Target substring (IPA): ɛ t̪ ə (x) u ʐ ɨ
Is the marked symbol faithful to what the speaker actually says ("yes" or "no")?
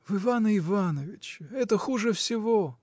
yes